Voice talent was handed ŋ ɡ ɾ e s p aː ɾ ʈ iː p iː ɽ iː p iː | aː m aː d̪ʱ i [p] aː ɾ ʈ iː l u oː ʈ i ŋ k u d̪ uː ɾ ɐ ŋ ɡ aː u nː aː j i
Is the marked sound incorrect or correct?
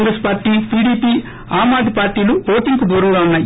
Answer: correct